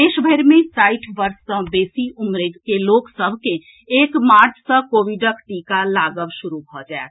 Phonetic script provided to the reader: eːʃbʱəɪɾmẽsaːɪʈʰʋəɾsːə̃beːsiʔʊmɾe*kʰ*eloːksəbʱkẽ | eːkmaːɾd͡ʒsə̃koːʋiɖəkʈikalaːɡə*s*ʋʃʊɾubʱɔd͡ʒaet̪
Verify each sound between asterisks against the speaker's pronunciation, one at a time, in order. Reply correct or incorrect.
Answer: incorrect: k, incorrect: none

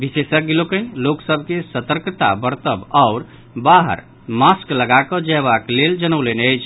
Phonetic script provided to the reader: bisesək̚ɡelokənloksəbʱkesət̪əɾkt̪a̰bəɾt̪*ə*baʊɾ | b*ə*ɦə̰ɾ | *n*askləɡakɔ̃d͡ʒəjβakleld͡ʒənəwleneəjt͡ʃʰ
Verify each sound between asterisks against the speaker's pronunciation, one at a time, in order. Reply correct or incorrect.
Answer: correct, incorrect: a, incorrect: m

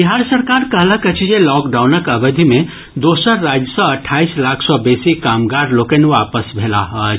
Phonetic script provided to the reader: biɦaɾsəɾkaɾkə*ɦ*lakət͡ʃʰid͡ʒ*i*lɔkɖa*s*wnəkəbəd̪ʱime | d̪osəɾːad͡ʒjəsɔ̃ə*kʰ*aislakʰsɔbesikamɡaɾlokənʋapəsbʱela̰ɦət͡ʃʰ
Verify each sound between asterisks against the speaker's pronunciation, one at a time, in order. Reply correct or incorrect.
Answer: correct, incorrect: e, incorrect: none, incorrect: ʈʰ

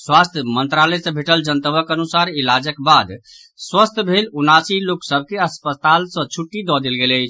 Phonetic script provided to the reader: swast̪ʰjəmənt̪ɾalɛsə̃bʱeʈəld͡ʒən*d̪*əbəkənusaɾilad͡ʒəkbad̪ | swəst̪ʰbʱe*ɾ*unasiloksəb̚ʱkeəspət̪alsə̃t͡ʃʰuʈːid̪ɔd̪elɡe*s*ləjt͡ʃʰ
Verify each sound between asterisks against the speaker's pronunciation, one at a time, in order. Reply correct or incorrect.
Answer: incorrect: t̪, incorrect: l, incorrect: none

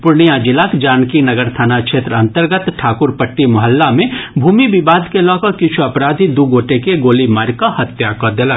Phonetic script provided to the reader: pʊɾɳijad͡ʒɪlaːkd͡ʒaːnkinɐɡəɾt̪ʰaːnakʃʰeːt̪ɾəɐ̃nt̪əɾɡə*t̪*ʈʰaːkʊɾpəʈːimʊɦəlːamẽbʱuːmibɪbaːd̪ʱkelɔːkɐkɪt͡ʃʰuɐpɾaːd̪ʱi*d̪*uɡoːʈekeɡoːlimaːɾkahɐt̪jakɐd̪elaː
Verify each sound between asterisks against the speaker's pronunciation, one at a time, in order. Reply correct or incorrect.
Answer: correct, correct

